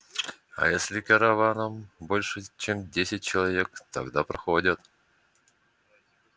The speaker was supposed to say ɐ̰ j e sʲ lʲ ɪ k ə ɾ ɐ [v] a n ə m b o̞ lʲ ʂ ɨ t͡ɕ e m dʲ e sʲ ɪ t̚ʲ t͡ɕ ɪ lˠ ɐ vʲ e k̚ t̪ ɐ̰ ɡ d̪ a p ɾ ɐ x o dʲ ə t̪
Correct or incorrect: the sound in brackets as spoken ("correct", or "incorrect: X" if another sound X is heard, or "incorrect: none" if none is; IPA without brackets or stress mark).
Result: correct